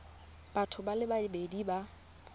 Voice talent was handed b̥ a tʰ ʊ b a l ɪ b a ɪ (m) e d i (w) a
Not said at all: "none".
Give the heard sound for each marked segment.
b, b

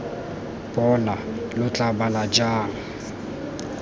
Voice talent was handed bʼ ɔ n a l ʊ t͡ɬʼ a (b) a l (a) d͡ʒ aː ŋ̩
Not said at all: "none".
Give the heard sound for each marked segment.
b, a

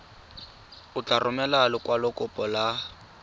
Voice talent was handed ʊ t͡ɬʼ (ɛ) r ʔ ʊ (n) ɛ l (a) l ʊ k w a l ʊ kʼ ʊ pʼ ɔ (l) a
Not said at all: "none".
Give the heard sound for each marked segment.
a, m, a, l

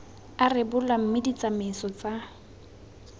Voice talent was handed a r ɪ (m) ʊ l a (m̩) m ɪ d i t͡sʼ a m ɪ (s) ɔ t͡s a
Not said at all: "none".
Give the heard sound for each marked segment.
b, m̩, s

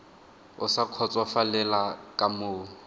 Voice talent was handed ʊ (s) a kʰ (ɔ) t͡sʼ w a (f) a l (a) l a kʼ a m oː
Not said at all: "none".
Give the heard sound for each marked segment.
s, ɔ, f, ɛ

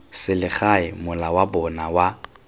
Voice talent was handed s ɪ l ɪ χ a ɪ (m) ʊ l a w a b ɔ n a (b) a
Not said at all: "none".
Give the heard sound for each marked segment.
m, w

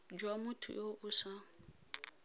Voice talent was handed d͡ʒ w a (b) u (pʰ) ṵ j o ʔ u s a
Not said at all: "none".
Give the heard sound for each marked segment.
m, tʰ

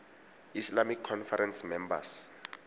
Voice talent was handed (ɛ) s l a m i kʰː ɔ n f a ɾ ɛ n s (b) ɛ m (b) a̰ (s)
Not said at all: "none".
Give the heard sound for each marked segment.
i, m, b, s

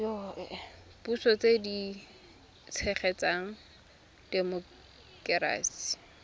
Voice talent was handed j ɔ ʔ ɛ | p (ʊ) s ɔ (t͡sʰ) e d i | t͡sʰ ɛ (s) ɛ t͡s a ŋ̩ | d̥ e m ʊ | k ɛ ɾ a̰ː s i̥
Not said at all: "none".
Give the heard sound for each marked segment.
u, t͡s, χ

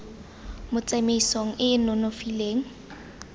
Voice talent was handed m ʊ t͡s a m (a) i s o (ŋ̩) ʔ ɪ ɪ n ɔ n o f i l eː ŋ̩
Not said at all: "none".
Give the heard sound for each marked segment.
e, ŋ̩

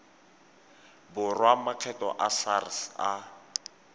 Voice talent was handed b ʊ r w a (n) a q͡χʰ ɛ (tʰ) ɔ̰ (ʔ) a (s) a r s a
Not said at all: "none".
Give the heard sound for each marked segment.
m, t, ʔ, s

